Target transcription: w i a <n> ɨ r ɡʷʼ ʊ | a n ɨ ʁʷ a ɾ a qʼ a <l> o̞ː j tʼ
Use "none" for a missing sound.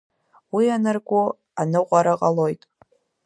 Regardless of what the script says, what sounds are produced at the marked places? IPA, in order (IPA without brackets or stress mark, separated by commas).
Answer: n, l